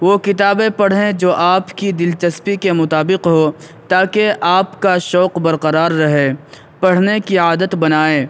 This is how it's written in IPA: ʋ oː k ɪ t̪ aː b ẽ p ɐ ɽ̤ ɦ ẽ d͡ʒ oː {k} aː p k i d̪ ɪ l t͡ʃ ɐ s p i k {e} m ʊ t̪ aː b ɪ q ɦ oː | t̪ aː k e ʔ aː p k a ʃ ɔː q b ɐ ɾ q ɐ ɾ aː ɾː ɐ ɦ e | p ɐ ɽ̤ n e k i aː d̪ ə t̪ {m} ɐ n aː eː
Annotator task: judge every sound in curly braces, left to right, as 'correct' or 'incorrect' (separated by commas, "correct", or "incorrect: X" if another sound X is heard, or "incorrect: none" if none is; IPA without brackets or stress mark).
incorrect: ʔ, correct, incorrect: b